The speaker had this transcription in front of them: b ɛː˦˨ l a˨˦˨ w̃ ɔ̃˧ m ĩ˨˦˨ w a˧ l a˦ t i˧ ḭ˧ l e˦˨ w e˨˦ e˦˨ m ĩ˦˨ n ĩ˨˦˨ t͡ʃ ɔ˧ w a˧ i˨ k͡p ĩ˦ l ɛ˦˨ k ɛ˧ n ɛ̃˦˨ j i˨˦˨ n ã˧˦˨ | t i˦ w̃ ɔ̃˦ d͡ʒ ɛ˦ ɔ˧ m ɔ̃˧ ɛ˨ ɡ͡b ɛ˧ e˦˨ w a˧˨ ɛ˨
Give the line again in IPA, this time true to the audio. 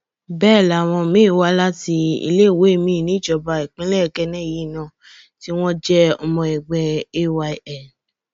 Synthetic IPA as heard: b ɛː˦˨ l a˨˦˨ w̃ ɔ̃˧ m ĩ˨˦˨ w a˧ l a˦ t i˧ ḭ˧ l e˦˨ w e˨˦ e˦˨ m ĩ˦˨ n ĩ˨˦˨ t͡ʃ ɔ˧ b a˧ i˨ k͡p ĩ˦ l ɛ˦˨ k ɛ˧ n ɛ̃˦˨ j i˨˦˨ n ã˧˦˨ | t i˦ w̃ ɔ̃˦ d͡ʒ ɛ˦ ɔ˧ m ɔ̃˧ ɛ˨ ɡ͡b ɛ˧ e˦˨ w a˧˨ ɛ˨